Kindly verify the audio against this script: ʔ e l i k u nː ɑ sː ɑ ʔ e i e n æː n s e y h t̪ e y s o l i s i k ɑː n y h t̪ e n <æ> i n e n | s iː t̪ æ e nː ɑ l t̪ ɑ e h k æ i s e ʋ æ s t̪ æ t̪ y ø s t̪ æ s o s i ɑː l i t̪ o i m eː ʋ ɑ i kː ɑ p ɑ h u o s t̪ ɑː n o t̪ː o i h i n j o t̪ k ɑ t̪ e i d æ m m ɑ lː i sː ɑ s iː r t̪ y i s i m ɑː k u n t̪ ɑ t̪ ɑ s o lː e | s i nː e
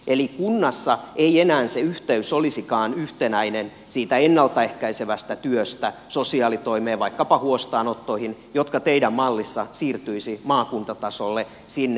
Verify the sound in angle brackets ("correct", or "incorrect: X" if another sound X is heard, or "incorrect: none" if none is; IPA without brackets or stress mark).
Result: correct